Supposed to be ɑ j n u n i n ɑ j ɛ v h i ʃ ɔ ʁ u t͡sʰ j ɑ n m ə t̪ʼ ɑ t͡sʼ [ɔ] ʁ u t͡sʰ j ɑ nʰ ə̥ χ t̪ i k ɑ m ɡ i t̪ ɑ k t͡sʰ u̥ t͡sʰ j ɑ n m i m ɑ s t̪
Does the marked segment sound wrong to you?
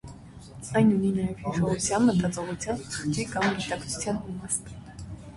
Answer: no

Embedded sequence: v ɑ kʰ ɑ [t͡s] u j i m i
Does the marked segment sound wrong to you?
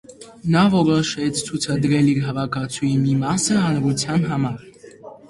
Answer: yes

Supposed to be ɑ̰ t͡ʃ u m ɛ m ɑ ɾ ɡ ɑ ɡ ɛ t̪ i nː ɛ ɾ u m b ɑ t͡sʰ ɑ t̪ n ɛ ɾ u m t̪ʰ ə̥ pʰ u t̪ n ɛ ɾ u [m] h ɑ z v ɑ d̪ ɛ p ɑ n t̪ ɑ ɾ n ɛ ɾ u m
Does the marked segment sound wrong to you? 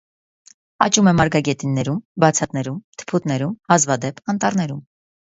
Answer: no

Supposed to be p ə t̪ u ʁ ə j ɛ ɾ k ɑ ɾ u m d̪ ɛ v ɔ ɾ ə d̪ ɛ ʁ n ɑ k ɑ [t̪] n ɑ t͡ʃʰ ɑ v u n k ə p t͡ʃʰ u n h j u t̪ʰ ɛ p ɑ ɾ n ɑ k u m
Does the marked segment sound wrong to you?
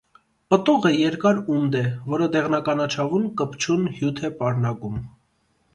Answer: yes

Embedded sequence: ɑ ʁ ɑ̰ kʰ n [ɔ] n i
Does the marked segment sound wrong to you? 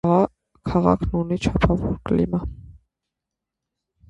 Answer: yes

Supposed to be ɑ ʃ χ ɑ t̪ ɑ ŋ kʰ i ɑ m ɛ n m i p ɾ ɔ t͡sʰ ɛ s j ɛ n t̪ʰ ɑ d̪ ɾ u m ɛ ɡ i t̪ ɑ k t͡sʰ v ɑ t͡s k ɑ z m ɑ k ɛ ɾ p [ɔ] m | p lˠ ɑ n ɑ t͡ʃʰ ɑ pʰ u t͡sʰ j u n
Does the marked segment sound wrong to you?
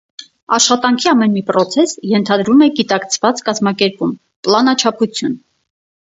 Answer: yes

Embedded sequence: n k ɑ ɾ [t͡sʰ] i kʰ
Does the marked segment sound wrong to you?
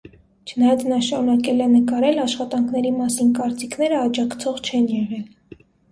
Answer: yes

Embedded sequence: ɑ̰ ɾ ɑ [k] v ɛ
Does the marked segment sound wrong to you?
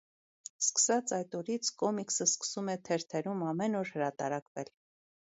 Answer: no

